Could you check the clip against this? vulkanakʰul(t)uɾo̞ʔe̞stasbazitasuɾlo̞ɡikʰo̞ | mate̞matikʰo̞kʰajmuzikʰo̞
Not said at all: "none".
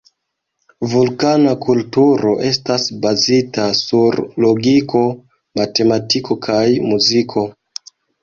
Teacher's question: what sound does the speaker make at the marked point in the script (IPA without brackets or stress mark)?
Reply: t